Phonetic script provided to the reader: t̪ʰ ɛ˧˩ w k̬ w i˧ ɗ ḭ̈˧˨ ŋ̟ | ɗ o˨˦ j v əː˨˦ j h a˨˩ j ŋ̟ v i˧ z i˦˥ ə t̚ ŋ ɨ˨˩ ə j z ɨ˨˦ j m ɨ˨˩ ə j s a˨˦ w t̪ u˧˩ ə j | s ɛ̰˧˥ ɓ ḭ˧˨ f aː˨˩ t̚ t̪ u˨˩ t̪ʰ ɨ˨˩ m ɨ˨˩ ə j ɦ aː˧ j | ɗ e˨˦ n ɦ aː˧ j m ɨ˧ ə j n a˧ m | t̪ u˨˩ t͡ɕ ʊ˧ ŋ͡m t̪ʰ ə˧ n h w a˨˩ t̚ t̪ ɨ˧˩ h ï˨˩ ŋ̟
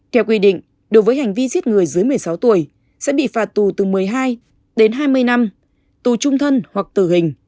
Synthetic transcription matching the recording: t̪ʰ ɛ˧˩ w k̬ w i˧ ɗ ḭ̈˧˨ ŋ̟ | ɗ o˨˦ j v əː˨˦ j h a˨˩ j ŋ̟ v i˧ z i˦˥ ə t̚ ŋ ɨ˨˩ ə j z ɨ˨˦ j m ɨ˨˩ ə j s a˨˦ w t̪ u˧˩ ə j | s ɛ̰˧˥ ɓ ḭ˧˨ f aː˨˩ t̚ t̪ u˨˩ t̪ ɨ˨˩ m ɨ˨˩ ə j ɦ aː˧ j | ɗ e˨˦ n ɦ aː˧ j m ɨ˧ ə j n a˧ m | t̪ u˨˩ t͡ɕ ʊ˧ ŋ͡m t̪ʰ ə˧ n h w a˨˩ k̚ t̪ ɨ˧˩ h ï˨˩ ŋ̟